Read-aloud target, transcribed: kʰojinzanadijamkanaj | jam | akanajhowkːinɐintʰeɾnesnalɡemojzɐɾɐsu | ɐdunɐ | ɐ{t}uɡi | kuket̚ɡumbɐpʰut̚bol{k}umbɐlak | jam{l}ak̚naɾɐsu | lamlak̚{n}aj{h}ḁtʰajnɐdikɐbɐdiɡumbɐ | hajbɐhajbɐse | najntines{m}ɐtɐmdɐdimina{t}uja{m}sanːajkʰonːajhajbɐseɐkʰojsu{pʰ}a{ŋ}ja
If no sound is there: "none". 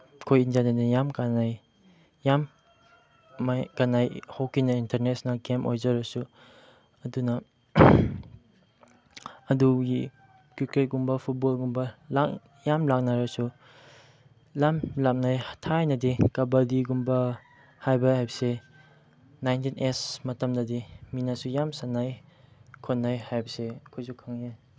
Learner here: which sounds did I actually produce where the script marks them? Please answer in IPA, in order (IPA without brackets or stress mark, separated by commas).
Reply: d, ɡ, l, n, h, m, s, m, kʰ, ŋ